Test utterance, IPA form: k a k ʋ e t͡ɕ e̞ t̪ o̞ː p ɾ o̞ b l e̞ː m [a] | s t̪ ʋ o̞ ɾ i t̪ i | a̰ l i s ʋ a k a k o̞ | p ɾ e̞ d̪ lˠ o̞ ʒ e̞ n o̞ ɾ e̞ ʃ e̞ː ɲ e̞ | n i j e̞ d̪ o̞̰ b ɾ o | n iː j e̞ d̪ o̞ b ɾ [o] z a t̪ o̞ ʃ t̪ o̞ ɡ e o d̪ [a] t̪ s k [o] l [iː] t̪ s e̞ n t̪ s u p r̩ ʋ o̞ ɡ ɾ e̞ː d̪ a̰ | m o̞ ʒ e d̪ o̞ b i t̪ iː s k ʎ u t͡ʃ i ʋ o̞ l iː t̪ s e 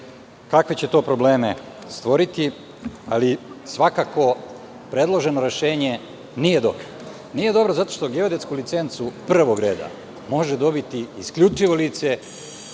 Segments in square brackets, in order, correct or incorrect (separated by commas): incorrect, correct, incorrect, incorrect, incorrect